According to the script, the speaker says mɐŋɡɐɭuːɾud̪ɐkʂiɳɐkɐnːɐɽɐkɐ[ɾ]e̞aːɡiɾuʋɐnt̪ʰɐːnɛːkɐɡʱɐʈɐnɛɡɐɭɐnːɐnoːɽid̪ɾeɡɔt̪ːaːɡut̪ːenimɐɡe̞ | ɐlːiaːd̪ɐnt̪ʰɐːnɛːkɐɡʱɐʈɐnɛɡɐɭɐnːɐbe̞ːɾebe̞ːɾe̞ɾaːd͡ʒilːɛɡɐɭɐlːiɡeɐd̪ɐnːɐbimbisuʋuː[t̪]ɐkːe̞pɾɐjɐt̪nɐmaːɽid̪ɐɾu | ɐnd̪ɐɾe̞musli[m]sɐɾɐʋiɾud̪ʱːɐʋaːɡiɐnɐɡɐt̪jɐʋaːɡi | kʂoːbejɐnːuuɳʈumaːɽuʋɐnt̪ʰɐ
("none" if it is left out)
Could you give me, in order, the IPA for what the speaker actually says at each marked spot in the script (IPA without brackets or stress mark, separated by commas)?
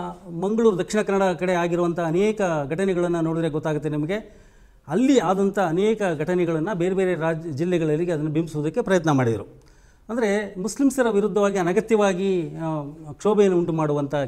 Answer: ɽ, d̪, m